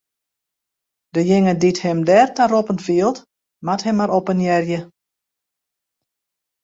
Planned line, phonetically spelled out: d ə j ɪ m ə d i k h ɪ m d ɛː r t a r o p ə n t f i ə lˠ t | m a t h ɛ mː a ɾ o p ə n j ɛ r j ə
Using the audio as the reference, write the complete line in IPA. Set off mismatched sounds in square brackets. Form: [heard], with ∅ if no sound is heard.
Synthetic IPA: d ə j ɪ [ŋ] ə d i [t] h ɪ m d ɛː r t a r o p ə n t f i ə lˠ t | m a t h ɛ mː a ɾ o p ə n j ɛ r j ə